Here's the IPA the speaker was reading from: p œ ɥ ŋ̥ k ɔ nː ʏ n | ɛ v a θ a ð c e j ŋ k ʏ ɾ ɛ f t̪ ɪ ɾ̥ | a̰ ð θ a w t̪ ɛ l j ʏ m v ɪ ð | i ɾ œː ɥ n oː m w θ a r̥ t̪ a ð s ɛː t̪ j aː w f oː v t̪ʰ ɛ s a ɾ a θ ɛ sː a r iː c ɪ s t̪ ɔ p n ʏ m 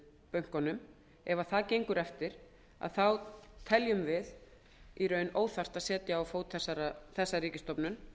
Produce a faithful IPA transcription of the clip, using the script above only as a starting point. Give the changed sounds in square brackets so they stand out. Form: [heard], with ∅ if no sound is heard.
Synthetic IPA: p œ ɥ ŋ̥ k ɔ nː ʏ [m] | ɛ v a θ a ð c e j ŋ k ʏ ɾ ɛ f t̪ ɪ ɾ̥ | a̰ ð θ a w [t̪ʰ] ɛ l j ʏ m v ɪ ð | i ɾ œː ɥ n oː [∅] w θ a r̥ t̪ a ð s ɛː t̪ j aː w f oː [w] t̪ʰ ɛ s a ɾ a θ ɛ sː a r iː c ɪ s t̪ ɔ p n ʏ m